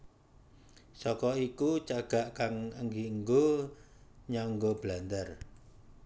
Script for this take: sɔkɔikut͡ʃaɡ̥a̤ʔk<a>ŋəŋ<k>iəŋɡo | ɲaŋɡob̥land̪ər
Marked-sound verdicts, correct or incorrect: correct, incorrect: ɡ

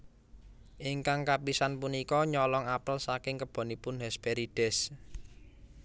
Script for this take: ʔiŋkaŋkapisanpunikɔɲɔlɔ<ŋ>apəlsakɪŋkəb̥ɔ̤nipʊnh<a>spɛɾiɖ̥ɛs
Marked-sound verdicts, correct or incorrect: correct, incorrect: ɛ

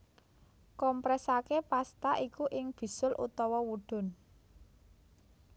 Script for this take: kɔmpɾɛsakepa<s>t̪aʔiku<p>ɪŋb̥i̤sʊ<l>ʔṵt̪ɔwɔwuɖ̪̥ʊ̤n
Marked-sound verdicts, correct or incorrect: correct, incorrect: ʔ, correct

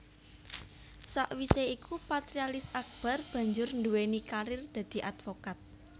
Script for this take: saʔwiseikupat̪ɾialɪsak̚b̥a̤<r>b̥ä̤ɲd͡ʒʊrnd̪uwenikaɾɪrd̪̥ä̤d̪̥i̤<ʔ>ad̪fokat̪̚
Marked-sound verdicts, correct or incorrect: correct, correct

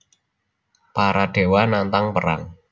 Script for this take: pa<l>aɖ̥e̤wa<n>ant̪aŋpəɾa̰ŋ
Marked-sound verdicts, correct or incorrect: incorrect: ɾ, correct

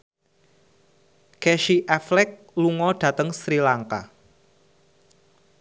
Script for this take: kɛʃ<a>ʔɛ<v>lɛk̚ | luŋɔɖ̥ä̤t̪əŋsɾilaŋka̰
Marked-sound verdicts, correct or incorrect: incorrect: i, incorrect: f

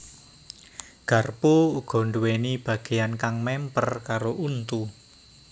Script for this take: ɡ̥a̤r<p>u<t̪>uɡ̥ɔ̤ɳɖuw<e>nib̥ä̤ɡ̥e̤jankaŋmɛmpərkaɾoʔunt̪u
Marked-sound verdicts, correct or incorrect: correct, incorrect: none, correct

